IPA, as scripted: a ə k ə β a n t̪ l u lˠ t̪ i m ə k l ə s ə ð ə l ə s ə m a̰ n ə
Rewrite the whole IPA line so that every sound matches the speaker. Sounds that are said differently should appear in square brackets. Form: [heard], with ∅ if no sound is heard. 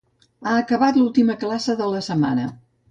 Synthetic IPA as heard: a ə k ə β a [∅] t̪ l u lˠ t̪ i m ə k l [a] s ə ð ə l ə s ə m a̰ n ə